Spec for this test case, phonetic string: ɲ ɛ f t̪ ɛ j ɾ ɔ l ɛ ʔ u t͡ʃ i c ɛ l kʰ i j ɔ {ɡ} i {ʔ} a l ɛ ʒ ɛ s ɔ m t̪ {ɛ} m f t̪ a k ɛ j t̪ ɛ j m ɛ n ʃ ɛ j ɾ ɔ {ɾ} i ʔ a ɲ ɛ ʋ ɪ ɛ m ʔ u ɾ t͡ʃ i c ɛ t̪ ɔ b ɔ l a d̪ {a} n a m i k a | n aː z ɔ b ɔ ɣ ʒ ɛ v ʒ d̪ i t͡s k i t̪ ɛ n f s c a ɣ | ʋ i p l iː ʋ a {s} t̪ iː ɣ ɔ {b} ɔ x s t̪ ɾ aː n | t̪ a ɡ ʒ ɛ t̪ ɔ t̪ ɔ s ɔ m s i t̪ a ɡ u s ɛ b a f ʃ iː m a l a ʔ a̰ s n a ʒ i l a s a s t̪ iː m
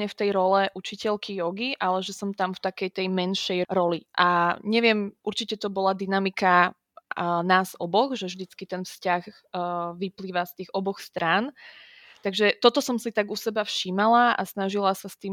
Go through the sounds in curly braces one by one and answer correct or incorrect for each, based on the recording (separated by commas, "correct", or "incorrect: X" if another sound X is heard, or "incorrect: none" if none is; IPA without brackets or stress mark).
correct, correct, incorrect: a, incorrect: l, incorrect: i, correct, correct